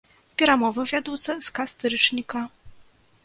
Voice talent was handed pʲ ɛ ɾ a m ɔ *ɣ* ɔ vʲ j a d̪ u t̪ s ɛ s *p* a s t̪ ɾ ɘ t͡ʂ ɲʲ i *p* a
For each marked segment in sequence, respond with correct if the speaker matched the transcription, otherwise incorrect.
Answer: incorrect, incorrect, incorrect

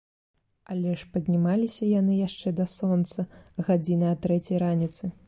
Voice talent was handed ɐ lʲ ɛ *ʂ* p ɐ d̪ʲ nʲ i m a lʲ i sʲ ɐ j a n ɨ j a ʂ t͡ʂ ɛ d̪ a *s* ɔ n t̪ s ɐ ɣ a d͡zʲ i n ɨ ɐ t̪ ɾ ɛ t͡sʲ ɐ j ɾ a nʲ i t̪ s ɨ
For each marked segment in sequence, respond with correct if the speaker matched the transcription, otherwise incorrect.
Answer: correct, correct

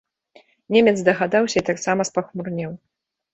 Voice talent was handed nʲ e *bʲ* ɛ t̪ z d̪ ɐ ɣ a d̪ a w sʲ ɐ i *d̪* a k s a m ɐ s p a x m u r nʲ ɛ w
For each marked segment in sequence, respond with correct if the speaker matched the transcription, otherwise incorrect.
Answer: incorrect, incorrect

